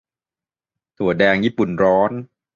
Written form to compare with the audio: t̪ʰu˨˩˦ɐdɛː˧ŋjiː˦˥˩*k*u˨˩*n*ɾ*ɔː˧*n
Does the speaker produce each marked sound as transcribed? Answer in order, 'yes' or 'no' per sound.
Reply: no, yes, no

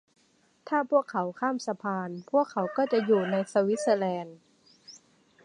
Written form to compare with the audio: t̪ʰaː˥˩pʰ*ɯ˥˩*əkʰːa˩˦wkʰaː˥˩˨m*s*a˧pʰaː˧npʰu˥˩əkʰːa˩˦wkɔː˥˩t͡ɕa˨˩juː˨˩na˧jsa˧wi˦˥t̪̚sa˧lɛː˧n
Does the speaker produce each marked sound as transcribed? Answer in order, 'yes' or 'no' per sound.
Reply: no, yes

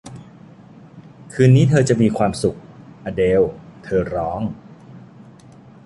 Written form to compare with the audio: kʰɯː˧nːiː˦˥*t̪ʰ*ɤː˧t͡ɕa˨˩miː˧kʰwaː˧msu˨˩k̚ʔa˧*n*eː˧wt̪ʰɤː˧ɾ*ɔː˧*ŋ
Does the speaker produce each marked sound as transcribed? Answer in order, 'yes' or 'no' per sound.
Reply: yes, no, no

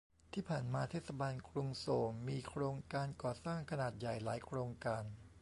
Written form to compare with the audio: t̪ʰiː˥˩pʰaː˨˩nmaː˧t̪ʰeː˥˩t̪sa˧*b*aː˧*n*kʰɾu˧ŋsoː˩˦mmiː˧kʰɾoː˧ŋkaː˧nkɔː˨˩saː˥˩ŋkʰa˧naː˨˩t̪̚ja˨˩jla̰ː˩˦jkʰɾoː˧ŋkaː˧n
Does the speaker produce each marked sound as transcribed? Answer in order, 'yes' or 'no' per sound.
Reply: yes, yes

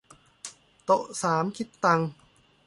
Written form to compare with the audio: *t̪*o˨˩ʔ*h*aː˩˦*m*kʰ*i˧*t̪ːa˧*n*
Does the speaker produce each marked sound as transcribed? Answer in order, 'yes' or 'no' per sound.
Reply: yes, no, yes, no, no

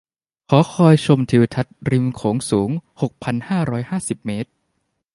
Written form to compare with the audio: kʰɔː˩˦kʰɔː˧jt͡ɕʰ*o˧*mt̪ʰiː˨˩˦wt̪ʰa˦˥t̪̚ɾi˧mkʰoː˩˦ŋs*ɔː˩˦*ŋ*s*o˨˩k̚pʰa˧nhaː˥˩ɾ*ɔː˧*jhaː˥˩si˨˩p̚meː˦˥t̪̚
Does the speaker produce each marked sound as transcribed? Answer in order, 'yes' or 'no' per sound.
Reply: yes, no, no, no

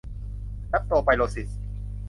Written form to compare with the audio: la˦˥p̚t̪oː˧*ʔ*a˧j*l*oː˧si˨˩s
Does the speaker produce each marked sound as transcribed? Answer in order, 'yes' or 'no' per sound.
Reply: no, yes

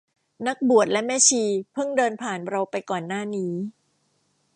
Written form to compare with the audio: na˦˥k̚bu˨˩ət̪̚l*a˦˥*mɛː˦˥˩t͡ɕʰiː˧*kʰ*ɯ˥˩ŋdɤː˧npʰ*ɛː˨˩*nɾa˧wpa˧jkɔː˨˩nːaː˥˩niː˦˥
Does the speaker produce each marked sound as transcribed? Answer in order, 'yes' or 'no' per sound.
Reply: no, no, no

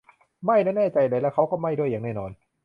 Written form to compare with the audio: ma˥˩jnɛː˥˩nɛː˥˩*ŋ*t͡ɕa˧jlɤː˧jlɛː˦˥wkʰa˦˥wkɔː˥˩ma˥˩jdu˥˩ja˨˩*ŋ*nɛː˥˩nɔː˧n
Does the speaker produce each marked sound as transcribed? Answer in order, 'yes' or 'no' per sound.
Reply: no, yes

